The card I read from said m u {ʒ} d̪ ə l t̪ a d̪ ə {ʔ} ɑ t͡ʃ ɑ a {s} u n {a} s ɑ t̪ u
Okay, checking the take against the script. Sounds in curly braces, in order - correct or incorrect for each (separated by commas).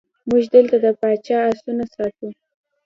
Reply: correct, incorrect, correct, correct